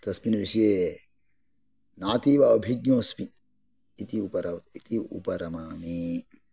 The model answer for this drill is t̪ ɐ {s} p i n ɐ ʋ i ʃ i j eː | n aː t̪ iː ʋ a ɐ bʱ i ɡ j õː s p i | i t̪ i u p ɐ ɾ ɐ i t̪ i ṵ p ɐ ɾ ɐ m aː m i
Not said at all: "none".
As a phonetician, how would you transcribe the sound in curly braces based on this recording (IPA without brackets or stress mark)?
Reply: s